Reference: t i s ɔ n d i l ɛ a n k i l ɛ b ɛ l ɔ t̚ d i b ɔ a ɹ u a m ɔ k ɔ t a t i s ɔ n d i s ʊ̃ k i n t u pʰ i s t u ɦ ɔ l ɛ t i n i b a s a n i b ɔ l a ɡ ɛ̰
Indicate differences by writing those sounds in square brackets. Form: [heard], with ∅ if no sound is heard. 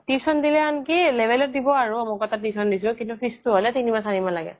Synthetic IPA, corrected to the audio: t i s ɔ n d i l ɛ a n k i l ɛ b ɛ l ɔ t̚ d i b ɔ a ɹ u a m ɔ k ɔ t a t i s ɔ n d i s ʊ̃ k i n t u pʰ i s t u ɦ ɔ l ɛ t i n i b a s a n i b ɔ l a ɡ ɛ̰